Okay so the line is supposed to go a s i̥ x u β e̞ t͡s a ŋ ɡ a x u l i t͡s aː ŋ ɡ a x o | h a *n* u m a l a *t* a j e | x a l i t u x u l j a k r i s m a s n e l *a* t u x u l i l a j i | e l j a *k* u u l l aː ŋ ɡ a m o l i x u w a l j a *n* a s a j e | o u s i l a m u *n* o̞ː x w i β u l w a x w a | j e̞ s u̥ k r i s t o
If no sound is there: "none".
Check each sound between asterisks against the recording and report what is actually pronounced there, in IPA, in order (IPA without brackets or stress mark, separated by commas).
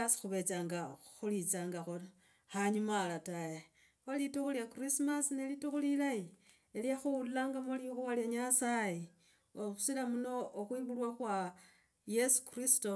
ɲ, t, i, x, ɲ, n